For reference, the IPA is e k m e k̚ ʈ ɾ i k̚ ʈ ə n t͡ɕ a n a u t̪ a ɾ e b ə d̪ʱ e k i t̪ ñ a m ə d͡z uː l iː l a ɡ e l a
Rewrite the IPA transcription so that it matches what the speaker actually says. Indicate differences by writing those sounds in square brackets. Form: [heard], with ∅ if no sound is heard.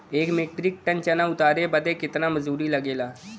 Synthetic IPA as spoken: e k m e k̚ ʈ ɾ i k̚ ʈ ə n t͡ɕ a n a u t̪ a ɾ e b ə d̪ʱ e k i t̪ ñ a m ə d͡z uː [ɾ] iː l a ɡ e l a